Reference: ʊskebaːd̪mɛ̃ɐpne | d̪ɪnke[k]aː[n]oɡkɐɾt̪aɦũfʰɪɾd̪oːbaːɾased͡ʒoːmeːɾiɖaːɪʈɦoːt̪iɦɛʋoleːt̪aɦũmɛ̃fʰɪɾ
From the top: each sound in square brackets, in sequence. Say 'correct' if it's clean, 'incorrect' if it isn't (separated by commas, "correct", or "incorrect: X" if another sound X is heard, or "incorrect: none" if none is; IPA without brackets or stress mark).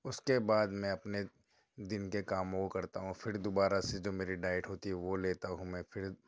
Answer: correct, incorrect: m